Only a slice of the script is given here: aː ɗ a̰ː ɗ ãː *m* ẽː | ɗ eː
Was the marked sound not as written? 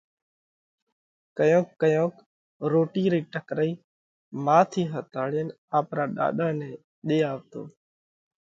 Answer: yes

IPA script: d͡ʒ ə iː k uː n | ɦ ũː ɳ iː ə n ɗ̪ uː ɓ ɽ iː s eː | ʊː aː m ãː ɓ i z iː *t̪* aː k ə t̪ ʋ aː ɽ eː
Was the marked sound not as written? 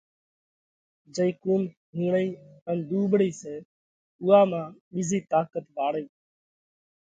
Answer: no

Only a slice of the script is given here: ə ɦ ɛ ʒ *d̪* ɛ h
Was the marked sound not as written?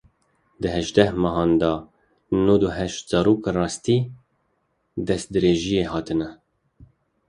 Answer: no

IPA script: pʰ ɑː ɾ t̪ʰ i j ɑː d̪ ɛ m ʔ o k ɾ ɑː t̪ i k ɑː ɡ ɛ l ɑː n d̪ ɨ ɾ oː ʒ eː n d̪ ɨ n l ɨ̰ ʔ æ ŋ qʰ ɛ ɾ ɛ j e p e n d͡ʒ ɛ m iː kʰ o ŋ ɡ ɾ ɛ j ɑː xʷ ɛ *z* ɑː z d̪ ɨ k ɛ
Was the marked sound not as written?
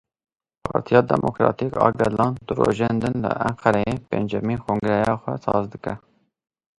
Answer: yes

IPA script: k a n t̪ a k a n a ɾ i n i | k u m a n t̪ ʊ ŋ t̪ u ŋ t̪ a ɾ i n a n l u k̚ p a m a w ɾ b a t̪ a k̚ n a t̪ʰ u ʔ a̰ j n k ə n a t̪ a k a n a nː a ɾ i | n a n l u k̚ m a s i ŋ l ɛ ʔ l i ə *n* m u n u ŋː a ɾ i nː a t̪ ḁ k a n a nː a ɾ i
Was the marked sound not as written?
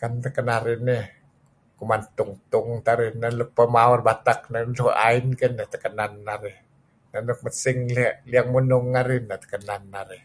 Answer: yes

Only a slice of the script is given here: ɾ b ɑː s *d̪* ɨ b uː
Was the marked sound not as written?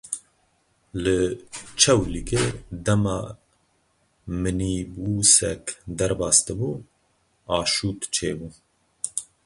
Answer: yes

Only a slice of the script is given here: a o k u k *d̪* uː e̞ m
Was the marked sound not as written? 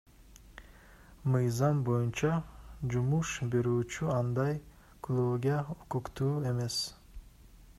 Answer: yes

